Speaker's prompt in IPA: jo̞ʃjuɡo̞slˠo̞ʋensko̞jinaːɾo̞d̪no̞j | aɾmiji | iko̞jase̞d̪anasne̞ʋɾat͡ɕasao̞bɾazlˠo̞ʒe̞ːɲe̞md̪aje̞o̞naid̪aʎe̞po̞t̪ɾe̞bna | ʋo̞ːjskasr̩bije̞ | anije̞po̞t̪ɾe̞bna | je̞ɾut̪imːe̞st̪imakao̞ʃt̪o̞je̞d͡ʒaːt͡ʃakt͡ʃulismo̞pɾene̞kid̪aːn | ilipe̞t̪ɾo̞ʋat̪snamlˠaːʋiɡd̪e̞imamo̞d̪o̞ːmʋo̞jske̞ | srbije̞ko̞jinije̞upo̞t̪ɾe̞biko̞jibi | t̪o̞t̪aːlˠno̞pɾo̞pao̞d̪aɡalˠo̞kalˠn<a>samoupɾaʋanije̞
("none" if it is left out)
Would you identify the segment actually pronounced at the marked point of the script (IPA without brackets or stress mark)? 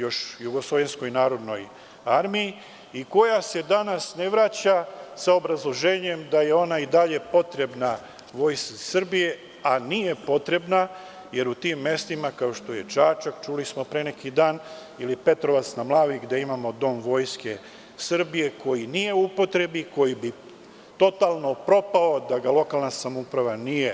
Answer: a